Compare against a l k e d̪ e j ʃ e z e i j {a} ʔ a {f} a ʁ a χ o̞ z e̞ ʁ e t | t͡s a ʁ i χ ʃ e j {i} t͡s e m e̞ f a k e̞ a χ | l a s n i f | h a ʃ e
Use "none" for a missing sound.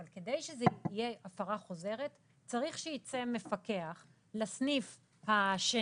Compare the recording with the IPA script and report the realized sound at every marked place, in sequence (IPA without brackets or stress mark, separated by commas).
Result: e, f, i